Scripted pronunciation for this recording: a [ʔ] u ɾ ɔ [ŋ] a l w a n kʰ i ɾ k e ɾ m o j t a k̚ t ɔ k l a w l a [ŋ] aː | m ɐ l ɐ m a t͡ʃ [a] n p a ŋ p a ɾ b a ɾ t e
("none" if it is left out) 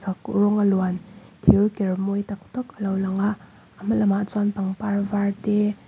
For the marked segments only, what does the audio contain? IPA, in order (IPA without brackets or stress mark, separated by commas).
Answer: k, ŋ, ŋ, a